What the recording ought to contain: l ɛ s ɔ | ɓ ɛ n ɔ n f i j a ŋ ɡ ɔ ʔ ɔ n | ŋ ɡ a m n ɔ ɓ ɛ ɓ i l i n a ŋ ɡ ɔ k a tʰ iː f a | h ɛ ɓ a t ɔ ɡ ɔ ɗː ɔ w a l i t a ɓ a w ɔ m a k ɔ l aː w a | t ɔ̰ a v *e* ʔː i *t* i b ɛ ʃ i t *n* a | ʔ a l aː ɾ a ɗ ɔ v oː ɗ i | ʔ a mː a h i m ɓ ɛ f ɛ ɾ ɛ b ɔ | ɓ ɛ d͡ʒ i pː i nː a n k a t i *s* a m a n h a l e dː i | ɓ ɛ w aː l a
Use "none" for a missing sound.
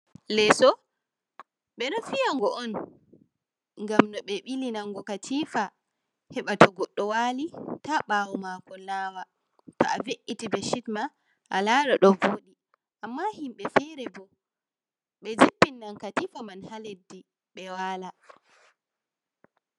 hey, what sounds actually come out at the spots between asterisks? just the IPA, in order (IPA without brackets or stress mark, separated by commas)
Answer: e, t, m, f